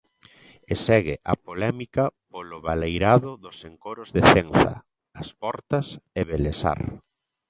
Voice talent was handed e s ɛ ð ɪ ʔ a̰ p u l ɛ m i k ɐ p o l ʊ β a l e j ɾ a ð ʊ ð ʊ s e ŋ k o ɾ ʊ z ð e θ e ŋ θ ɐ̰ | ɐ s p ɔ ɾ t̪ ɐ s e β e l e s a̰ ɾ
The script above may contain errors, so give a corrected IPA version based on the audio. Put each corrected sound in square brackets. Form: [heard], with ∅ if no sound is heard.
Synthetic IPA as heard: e s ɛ [ɣ] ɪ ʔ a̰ p [o] l ɛ m i k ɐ p o l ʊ β a l e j ɾ a ð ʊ ð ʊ s e ŋ k o ɾ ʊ z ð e θ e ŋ θ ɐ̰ | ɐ s p ɔ ɾ t̪ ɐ s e β e l e s a̰ ɾ